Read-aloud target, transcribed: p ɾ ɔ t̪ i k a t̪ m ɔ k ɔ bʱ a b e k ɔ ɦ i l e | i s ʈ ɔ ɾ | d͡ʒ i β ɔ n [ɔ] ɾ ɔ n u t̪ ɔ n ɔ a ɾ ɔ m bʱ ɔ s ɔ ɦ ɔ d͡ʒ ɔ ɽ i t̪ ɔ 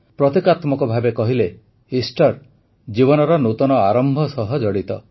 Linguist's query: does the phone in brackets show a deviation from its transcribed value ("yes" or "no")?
no